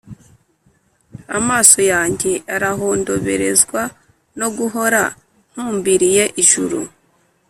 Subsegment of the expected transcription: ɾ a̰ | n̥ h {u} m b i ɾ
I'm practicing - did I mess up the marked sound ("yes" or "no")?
yes